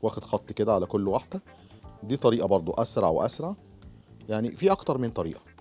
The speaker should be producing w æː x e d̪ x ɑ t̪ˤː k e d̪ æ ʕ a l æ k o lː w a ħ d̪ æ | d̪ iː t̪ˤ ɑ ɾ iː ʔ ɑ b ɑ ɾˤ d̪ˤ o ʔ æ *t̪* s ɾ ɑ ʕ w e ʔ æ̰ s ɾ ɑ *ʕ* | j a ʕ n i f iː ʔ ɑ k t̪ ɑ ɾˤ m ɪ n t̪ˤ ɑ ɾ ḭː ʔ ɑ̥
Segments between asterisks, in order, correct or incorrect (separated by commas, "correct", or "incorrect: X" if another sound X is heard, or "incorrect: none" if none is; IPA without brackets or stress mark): incorrect: none, correct